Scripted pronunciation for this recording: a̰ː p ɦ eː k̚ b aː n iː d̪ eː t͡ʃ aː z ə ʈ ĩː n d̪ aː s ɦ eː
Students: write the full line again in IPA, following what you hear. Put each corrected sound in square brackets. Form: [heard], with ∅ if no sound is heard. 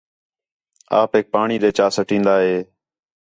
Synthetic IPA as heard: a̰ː p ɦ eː k̚ [p] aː [ɳ] iː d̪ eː t͡ʃ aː [s] ə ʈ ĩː n d̪ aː [∅] ɦ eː

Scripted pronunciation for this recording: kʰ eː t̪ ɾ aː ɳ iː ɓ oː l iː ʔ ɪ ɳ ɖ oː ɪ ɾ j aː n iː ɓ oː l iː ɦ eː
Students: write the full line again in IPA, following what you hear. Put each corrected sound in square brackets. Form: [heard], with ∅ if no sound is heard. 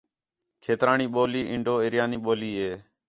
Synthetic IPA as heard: kʰ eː t̪ ɾ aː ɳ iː ɓ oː l iː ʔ ɪ ɳ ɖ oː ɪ ɾ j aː n iː ɓ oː l iː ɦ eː

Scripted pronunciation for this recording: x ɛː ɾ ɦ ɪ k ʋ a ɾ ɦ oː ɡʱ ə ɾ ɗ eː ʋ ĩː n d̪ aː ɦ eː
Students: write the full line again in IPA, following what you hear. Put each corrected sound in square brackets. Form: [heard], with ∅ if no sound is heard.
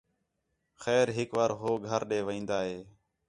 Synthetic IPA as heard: x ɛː ɾ ɦ ɪ k ʋ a ɾ ɦ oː ɡʱ ə ɾ ɗ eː ʋ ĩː n d̪ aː ɦ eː

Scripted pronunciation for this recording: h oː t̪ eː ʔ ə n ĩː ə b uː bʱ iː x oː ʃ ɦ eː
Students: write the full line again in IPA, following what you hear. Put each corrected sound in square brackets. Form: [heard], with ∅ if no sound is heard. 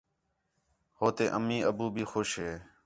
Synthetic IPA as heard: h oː t̪ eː ʔ ə [m] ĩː ə b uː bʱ iː x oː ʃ ɦ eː

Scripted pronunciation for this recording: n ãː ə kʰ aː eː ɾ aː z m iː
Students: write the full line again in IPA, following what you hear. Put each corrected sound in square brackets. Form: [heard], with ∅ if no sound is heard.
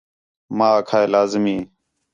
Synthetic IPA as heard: [m] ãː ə kʰ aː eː [l] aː z m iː

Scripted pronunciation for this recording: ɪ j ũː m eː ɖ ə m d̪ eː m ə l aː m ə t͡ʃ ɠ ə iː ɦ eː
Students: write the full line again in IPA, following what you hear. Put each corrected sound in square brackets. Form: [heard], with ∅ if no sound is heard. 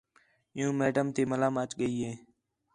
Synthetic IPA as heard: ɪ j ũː m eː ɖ ə m [t̪] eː m ə l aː m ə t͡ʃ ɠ ə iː ɦ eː

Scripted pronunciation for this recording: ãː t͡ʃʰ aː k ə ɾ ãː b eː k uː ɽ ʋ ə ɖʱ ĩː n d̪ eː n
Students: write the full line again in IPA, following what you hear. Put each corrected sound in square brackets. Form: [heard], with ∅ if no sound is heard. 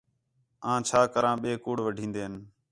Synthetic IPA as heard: ãː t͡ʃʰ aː k ə ɾ ãː [ɓ] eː k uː ɽ ʋ ə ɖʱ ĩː n d̪ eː n

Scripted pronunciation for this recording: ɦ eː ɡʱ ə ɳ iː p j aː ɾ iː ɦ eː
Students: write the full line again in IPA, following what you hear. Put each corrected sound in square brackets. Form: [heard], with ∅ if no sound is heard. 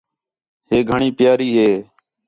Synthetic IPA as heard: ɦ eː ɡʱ ə ɳ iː p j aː ɾ iː ɦ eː

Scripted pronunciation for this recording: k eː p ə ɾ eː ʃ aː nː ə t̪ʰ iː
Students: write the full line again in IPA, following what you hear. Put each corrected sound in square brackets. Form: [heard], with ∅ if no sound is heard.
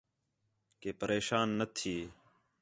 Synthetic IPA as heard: k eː p ə ɾ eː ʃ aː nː ə t̪ʰ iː

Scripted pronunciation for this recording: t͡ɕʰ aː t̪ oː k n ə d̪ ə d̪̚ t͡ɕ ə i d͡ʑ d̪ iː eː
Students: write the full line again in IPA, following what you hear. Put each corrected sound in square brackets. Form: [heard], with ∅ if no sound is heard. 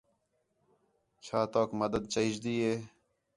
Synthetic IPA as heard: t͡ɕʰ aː t̪ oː k [m] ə d̪ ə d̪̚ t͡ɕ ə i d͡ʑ d̪ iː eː

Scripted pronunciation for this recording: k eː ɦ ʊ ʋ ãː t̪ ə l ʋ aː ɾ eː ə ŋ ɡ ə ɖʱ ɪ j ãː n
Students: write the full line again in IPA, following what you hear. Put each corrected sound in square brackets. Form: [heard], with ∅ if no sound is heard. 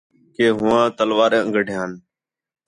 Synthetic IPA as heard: k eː ɦ ʊ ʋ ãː t̪ ə l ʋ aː ɾ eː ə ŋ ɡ ə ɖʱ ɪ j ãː n

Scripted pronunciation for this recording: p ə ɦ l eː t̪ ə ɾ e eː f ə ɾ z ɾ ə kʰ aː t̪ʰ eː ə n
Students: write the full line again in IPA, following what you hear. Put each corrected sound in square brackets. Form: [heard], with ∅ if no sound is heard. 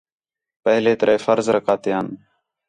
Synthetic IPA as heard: p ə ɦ l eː t̪ ə ɾ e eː f ə ɾ z ɾ ə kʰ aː [t̪] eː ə n

